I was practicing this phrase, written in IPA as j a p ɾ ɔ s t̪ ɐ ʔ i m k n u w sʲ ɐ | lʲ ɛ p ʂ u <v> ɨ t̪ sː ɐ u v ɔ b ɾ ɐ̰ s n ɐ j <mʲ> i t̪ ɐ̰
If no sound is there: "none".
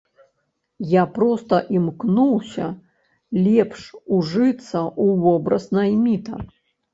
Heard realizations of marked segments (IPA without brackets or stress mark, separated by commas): ʐ, mʲ